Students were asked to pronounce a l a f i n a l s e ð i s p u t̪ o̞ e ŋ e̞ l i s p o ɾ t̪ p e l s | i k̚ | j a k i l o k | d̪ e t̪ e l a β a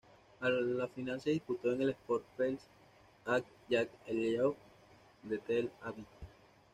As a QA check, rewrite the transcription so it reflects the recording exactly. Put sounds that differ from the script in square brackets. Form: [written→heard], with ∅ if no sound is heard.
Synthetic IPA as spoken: a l a f i n a l s e ð i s p u t̪ o̞ e ŋ e̞ l [i→e] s p o ɾ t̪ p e l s | [i→a] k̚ | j a k [i→e] l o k | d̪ e t̪ e l a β [a→i]